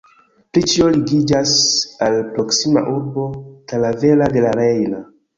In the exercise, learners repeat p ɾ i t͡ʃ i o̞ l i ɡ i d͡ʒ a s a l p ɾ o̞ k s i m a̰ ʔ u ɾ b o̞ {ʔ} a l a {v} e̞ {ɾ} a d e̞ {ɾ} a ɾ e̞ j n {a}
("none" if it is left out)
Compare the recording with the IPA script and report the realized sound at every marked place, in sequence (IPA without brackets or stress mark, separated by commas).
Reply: t, v, l, l, a